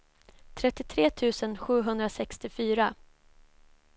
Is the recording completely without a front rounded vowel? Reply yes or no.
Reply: no